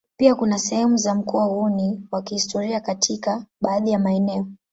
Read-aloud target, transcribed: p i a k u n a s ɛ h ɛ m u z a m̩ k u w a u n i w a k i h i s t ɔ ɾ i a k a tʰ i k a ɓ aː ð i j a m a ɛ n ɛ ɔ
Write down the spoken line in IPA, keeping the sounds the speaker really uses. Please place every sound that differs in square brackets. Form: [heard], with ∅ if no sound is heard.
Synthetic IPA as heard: p i a k u n a s ɛ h ɛ m u z a m̩ k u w a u n i w a k i h i s t ɔ ɾ i a k a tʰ i k a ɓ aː ð i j a m a ɛ n ɛ ɔ

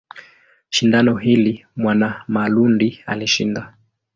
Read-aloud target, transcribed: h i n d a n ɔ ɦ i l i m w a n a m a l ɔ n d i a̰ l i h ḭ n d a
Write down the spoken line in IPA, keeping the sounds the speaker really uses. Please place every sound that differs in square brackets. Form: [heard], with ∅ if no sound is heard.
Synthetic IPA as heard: [ʃ] i n d a n ɔ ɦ i l i m w a n a m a l [u] n d i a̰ l i [ʃ] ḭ n d a

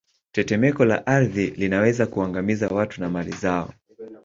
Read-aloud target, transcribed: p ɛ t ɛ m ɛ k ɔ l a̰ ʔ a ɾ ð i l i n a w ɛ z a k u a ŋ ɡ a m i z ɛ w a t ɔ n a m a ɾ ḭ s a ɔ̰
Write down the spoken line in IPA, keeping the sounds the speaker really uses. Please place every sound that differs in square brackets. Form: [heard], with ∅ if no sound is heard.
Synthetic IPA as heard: [t] ɛ t ɛ m ɛ k ɔ l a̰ ʔ a ɾ ð i l i n a w ɛ z a k u a ŋ ɡ a m i z [a] w a t [u] n a m a [l] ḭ [z] a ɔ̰

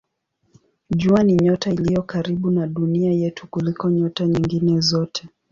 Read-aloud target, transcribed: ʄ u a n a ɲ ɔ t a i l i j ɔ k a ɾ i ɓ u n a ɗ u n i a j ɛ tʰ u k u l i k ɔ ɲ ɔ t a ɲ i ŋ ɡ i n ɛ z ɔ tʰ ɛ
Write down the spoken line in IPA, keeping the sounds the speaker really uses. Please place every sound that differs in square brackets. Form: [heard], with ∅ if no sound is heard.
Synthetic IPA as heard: ʄ u a n [i] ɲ ɔ t a i l i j ɔ k a ɾ i ɓ u n a ɗ u n i a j ɛ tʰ u k u l i k ɔ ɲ ɔ t a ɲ i ŋ ɡ i n ɛ z ɔ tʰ ɛ

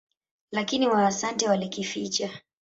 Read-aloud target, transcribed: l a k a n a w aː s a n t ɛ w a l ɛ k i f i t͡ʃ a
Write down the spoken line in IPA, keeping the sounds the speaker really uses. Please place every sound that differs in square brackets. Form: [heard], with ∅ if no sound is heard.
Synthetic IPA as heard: l a k [i] n [i] w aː s a n t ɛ w a l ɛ k i f i t͡ʃ a

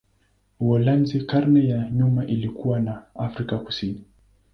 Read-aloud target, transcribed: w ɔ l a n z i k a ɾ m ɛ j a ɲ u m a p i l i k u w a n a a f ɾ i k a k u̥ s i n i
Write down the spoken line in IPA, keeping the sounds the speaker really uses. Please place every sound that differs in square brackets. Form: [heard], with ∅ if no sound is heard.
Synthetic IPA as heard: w ɔ l a n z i k a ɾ [n] ɛ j a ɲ u m a [ʔ] i l i k u w a n a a f ɾ i k a k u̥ s i n i

